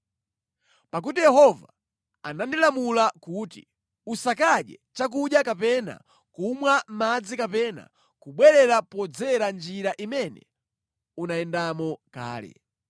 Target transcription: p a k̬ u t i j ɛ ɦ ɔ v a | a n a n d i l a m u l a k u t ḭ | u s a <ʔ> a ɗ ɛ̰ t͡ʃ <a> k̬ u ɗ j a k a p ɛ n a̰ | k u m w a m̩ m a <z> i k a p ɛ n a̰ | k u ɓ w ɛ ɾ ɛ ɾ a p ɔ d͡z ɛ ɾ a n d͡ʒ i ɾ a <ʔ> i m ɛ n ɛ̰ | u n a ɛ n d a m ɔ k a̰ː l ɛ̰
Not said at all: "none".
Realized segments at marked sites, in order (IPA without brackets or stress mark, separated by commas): k, a, d͡z, ʔ